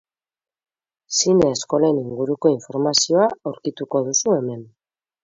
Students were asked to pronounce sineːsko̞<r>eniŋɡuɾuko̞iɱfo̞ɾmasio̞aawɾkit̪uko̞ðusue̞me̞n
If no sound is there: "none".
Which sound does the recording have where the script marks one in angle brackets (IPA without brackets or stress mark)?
l